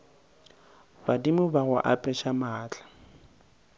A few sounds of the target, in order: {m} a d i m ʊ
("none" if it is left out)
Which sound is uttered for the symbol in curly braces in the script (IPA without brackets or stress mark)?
b